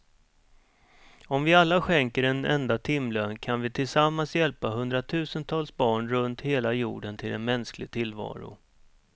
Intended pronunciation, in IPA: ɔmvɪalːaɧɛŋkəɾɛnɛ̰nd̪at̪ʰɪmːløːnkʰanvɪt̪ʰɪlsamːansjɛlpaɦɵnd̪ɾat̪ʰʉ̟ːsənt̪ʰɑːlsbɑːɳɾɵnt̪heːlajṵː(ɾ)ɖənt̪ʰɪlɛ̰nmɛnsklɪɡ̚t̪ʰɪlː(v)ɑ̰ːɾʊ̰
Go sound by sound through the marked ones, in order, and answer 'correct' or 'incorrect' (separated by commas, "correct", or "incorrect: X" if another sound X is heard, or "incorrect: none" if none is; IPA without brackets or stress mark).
incorrect: none, correct